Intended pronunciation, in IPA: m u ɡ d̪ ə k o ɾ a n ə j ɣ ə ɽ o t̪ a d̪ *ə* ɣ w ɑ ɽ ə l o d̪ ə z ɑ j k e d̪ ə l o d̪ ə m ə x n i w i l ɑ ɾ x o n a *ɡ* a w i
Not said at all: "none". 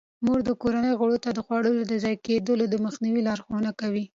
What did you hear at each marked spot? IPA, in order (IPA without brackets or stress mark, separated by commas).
ə, k